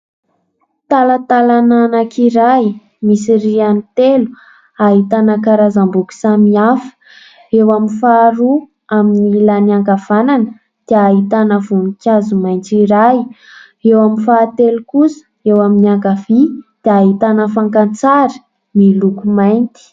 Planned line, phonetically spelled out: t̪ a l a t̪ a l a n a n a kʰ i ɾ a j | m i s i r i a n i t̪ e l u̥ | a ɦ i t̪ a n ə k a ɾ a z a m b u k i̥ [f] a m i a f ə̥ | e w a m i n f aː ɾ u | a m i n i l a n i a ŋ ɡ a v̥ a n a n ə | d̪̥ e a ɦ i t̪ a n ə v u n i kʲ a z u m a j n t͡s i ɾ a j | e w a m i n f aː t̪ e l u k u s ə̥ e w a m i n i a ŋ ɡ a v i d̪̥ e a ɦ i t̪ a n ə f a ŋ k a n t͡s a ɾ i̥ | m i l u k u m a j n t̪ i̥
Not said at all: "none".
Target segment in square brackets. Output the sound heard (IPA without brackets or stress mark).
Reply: s